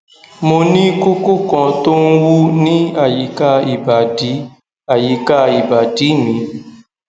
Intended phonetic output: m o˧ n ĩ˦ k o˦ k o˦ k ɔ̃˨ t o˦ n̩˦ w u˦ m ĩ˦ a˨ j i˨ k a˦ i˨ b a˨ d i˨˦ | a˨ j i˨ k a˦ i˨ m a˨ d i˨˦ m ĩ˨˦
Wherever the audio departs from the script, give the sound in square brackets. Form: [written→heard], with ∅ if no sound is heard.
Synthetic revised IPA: m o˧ n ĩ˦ k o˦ k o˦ k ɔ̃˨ t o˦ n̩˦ w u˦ [m→n] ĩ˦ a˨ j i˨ k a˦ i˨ b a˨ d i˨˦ | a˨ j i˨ k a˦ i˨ [m→b] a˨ d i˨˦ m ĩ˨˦